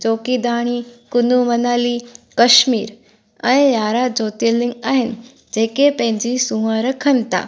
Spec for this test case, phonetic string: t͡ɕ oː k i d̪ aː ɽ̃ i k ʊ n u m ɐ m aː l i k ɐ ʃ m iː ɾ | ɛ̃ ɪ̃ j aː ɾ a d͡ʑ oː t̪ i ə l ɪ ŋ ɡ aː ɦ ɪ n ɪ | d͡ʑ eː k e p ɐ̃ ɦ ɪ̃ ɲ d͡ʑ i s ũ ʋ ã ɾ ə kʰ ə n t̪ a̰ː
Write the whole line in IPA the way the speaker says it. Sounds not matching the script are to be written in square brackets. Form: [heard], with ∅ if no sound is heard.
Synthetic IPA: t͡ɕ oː k i d̪ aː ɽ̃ i k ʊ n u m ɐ [n] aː l i k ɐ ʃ m iː ɾ | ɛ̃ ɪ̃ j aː ɾ a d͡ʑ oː t̪ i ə l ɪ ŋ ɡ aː ɦ ɪ n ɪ | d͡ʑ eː k e p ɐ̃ ɦ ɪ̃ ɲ d͡ʑ i s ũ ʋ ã ɾ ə kʰ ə n t̪ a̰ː